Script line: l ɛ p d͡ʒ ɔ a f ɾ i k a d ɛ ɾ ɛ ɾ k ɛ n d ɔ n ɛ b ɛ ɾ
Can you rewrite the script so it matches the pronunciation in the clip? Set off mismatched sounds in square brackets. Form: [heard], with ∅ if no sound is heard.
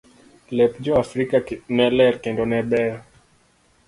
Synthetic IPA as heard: l ɛ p d͡ʒ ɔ a f ɾ i k a [n] ɛ [l] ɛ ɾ k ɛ n d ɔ n ɛ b ɛ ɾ